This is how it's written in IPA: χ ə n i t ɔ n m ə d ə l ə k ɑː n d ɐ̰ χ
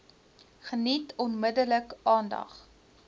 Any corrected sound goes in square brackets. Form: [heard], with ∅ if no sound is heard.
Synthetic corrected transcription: χ ə n i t ɔ n m ə d ə l ə k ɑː n d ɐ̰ χ